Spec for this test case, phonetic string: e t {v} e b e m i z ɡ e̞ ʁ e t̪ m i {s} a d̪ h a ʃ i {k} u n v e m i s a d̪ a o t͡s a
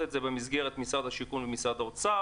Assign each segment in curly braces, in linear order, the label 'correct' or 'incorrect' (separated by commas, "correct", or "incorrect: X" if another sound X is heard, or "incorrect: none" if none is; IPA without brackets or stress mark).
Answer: incorrect: z, correct, correct